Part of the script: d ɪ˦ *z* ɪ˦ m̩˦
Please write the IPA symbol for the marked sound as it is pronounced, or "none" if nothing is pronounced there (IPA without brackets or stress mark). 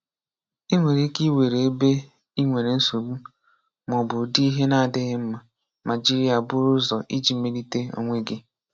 ɣ